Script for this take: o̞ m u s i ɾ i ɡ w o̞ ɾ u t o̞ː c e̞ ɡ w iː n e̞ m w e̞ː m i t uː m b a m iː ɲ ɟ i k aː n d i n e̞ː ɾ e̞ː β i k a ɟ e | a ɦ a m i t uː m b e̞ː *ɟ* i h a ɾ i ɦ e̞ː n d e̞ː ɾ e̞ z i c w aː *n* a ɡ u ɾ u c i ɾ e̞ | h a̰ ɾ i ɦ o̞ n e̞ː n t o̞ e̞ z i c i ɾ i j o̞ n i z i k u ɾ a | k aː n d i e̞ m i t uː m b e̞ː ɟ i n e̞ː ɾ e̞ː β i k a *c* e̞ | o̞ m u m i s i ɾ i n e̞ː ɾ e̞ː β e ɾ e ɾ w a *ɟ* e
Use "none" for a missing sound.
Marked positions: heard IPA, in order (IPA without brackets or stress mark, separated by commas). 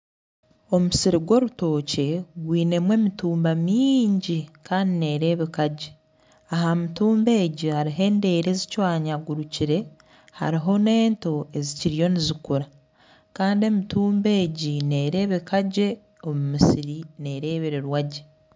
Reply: ɟ, ɲ, ɟ, ɟ